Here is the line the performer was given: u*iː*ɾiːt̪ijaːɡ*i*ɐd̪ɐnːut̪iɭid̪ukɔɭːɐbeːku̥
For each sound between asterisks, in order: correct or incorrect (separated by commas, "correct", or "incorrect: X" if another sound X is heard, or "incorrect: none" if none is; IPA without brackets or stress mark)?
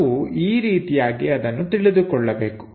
correct, correct